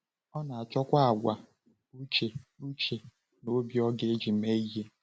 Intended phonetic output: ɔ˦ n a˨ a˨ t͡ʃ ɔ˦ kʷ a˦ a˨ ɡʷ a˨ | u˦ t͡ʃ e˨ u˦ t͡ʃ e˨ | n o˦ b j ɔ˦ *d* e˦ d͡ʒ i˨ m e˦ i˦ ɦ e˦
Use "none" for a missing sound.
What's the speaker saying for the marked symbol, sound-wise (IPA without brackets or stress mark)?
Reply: ɡ